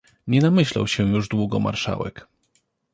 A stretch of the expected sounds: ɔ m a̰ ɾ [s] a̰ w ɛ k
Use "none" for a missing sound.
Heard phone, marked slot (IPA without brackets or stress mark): ʂ